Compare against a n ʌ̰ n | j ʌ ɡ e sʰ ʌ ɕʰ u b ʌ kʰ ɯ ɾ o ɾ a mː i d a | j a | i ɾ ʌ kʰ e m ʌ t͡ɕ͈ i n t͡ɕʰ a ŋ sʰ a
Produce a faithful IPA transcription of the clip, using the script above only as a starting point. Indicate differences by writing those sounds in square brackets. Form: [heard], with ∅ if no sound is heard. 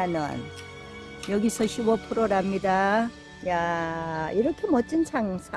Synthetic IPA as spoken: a n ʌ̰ n | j ʌ ɡ [i] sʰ ʌ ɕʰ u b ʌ [pʰ] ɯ ɾ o ɾ a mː i d a | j a | i ɾ ʌ kʰ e m ʌ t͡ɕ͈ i n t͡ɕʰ a ŋ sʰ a

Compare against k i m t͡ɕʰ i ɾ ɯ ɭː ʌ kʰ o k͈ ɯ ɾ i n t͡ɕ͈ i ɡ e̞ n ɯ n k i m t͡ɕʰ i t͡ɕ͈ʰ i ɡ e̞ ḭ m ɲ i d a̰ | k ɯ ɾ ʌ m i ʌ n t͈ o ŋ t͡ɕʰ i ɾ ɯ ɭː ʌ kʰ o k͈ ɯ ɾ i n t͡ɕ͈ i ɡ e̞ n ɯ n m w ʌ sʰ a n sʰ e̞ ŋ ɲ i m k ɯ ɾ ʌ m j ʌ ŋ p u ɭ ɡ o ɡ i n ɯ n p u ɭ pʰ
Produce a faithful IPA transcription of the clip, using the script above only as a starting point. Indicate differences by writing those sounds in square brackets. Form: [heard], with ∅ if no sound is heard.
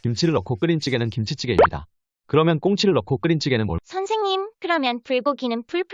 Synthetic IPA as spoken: k i m t͡ɕʰ i ɾ ɯ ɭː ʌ kʰ o k͈ ɯ ɾ i n t͡ɕ͈ i ɡ e̞ n ɯ n k i m t͡ɕʰ i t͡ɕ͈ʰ i ɡ e̞ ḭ m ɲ i d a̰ | k ɯ ɾ ʌ m [j] ʌ n [k͈] o ŋ t͡ɕʰ i ɾ ɯ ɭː ʌ kʰ o k͈ ɯ ɾ i n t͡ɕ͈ i ɡ e̞ n ɯ n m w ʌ sʰ [ʌ] n sʰ e̞ ŋ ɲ i m k ɯ ɾ ʌ m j ʌ [n] p u ɭ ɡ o ɡ i n ɯ n p u ɭ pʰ

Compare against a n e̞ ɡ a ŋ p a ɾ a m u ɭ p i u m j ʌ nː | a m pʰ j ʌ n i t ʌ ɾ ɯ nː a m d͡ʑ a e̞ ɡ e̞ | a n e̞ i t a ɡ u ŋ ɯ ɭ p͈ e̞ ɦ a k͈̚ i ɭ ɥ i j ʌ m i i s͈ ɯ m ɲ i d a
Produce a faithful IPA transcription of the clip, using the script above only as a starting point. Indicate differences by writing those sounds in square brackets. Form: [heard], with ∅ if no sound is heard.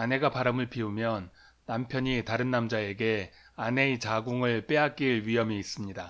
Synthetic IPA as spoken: a n e̞ ɡ a [∅] p a ɾ a m [ɯ] ɭ p i u m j ʌ nː | a m pʰ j ʌ [ɲ] i t [a] ɾ ɯ nː a m d͡ʑ a e̞ ɡ e̞ | a n e̞ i [t͡ɕ] a ɡ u ŋ ɯ ɭ p͈ e̞ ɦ a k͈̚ i ɭ ɥ i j ʌ m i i s͈ ɯ m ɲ i d a

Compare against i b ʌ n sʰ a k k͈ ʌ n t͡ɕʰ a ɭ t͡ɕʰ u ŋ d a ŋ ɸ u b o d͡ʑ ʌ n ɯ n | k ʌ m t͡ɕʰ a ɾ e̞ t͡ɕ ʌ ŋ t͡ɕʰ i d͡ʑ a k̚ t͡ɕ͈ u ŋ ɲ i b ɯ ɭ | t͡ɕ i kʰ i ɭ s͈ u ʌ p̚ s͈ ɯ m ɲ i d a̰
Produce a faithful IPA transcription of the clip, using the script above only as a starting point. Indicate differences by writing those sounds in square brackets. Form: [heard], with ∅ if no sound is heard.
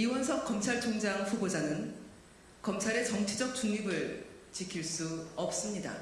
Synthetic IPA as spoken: i [w] ʌ n sʰ [ʌ] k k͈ ʌ [m] t͡ɕʰ a ɭ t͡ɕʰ [o] ŋ [d͡ʑ] a ŋ ɸ u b o d͡ʑ [a] n ɯ n | k ʌ m t͡ɕʰ a ɾ e̞ t͡ɕ ʌ ŋ t͡ɕʰ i d͡ʑ [ʌ] k̚ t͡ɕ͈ u ŋ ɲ i b ɯ ɭ | t͡ɕ i kʰ i ɭ s͈ u ʌ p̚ s͈ ɯ m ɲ i d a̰

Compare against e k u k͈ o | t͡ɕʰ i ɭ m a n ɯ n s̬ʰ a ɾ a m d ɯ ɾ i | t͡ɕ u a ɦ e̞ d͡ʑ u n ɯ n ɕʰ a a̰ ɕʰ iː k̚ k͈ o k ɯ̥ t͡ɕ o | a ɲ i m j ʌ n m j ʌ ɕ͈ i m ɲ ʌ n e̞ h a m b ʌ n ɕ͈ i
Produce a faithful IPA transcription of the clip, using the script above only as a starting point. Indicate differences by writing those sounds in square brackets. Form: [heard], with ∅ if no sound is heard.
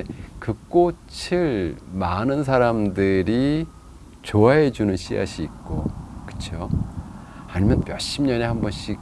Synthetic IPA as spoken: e k [ɯ] k͈ o | t͡ɕʰ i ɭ m a n ɯ n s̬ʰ a ɾ a m d ɯ ɾ i | t͡ɕ [o] a ɦ e̞ d͡ʑ u n ɯ n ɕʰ [i] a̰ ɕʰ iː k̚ k͈ o k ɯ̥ [t͡ɕʰ] o | a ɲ i m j ʌ n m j ʌ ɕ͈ i m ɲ ʌ n e̞ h a m b ʌ n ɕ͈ i

